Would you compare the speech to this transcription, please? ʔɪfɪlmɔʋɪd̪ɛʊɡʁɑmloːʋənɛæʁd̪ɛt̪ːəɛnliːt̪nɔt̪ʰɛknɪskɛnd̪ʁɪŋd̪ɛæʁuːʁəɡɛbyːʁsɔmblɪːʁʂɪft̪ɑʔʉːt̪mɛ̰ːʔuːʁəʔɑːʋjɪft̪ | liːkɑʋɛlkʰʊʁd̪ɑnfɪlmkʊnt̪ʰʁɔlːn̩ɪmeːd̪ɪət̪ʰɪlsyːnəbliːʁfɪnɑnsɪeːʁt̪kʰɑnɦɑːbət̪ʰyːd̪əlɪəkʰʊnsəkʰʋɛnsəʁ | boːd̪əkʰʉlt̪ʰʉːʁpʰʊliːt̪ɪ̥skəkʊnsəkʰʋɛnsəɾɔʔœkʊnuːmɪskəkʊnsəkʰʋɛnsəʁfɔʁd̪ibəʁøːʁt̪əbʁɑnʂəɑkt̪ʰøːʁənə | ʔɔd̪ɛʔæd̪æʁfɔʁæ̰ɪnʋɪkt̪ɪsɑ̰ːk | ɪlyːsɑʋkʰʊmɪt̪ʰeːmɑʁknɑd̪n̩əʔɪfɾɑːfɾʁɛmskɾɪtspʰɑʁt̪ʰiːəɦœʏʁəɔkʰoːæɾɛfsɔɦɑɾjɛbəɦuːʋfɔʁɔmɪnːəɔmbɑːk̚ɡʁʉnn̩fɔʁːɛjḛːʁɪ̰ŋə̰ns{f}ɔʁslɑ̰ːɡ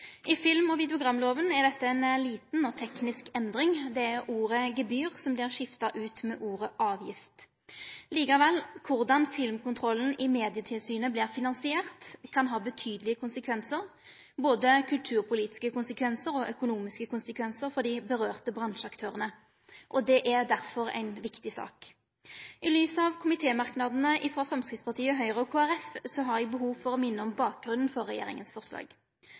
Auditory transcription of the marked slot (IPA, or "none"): f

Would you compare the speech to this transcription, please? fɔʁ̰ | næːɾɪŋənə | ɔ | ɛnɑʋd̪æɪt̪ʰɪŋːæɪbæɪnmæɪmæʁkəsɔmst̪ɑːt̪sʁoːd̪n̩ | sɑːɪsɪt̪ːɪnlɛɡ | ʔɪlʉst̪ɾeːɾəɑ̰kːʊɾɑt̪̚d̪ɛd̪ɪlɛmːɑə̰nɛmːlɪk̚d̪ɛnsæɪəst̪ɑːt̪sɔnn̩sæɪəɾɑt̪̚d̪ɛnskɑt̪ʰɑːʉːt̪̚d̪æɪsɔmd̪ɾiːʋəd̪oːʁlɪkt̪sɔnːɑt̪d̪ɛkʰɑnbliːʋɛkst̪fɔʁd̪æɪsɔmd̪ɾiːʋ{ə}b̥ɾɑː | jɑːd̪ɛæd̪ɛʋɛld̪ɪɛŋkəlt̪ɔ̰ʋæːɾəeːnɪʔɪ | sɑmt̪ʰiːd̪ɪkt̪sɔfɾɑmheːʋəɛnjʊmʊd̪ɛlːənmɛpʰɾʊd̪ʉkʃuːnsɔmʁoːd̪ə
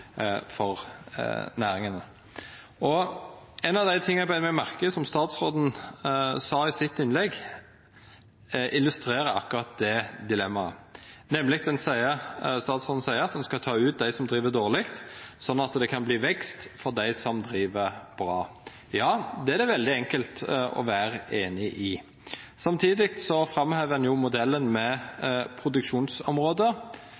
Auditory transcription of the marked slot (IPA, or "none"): ə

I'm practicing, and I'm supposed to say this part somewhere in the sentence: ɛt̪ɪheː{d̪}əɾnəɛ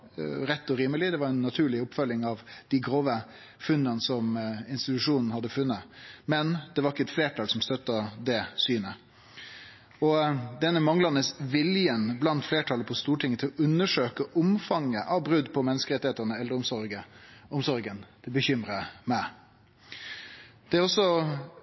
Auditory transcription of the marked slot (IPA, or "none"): t̪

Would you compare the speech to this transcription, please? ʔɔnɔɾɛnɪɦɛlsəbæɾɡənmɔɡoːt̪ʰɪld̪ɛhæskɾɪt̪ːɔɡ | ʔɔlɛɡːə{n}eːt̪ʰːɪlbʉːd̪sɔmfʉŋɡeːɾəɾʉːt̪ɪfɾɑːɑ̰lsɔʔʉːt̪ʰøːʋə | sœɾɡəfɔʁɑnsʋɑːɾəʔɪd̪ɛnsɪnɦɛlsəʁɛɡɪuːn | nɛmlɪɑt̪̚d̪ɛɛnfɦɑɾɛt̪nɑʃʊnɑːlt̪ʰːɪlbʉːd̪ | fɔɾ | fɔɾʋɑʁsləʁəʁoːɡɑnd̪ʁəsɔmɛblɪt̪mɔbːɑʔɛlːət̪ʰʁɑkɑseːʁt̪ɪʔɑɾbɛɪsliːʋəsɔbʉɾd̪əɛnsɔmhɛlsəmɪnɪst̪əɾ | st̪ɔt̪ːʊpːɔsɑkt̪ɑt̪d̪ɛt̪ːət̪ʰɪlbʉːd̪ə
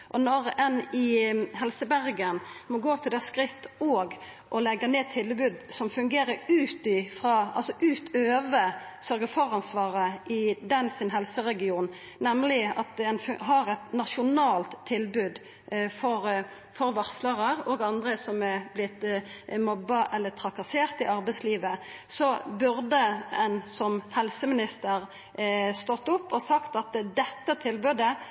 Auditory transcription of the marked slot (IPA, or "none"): n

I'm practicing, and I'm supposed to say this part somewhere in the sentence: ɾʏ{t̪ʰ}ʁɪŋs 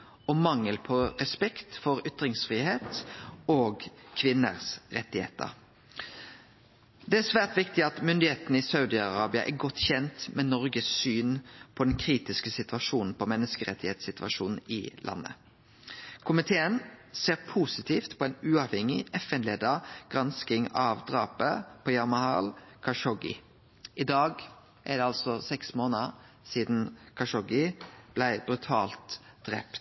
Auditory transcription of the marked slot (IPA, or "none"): t̪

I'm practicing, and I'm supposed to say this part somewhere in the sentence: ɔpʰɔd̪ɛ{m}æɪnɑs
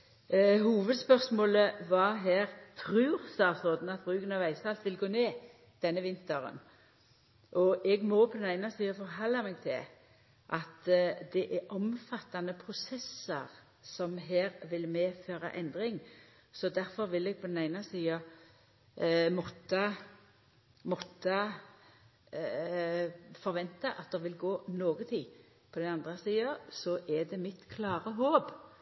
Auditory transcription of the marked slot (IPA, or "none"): n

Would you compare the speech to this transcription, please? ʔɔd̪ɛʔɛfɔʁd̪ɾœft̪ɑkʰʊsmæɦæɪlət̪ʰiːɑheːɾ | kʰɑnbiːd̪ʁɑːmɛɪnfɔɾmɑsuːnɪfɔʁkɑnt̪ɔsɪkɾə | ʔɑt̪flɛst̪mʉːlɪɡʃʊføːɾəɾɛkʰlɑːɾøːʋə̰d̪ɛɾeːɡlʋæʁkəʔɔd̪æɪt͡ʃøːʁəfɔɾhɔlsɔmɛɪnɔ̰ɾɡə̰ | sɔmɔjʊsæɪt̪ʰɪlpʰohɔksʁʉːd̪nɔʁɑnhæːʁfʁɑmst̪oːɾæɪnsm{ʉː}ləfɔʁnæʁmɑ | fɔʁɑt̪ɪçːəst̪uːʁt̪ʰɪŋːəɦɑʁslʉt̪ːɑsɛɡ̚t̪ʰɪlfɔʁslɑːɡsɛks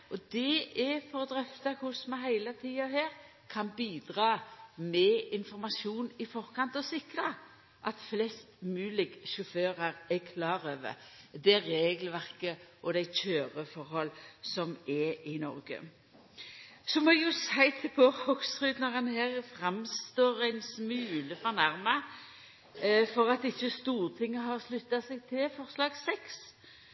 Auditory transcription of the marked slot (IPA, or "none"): ʉː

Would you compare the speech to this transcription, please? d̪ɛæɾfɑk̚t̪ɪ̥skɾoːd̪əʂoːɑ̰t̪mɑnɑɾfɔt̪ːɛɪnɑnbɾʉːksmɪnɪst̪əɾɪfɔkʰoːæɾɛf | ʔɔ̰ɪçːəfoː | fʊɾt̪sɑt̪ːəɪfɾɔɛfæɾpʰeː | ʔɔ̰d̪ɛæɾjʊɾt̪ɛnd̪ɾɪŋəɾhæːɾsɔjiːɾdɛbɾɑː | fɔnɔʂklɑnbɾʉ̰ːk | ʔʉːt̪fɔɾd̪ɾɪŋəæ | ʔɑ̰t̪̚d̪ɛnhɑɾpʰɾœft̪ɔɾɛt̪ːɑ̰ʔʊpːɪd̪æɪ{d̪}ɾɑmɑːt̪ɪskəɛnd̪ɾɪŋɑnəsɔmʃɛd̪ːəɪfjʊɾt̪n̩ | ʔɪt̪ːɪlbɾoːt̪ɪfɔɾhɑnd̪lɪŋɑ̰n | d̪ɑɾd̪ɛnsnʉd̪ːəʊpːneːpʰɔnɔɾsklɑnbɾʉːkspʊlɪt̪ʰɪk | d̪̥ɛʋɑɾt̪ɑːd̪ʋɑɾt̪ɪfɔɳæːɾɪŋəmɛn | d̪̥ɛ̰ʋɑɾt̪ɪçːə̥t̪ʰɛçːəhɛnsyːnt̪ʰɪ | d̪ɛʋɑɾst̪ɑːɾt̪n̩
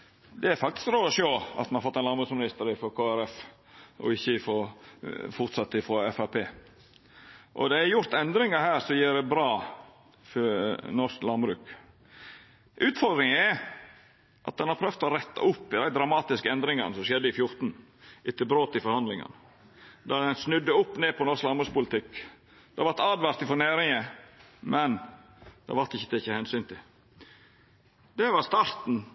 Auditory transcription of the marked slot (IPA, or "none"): d̪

